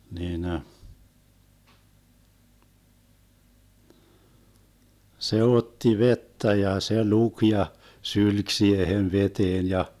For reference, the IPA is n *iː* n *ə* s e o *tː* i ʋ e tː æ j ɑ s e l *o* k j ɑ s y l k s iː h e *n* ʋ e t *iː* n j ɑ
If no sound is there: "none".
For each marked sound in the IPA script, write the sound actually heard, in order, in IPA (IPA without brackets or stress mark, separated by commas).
iː, ə, tː, u, n, eː